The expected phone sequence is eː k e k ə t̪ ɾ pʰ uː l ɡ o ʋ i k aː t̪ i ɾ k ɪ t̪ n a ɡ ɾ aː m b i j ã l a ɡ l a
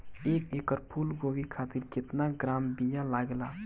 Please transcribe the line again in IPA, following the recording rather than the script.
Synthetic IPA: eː k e k ə ɾ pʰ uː l ɡ o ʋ i kʰ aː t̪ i ɾ k ɪ t̪ n a ɡ ɾ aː m b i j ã l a ɡ l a